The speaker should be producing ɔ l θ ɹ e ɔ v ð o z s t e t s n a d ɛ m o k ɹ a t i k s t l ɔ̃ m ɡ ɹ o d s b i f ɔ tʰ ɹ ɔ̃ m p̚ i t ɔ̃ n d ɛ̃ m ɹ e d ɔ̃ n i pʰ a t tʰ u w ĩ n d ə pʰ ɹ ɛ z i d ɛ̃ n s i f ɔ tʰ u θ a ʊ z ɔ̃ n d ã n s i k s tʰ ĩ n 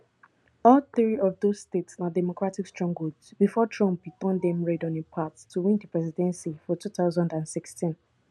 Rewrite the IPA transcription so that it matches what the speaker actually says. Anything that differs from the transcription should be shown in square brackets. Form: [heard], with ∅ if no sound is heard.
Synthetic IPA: ɔ l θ ɹ [i] ɔ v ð o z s t e t s n a d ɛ m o k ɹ a t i k s t [ɹ] ɔ̃ [ŋ] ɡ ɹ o d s b i f ɔ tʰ ɹ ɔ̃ m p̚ i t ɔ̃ n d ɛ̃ m ɹ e d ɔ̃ n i pʰ a t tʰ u w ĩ n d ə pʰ ɹ ɛ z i d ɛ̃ n s i f ɔ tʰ u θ a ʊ z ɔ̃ n d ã n s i k s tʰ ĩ n